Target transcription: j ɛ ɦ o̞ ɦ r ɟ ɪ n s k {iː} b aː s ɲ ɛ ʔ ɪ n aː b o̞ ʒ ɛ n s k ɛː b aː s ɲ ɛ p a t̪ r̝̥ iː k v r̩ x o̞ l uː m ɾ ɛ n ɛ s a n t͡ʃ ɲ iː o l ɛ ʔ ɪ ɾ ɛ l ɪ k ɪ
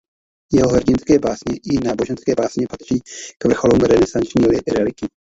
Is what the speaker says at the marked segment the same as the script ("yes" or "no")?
no